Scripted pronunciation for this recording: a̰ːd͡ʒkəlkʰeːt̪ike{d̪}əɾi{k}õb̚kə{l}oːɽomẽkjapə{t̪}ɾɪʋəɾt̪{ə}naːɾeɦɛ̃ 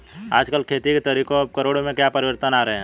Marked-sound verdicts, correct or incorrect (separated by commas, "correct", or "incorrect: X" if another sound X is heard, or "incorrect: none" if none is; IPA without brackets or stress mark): incorrect: t̪, correct, incorrect: ɾ, incorrect: none, correct